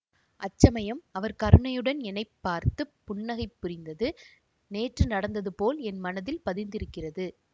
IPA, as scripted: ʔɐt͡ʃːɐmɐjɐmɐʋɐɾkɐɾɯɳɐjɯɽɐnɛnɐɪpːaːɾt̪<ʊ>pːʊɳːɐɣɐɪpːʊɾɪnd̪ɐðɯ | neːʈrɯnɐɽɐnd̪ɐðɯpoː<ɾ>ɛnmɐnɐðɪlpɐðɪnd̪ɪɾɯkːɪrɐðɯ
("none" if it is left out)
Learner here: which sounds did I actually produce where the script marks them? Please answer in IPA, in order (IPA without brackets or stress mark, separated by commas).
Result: ɯ, l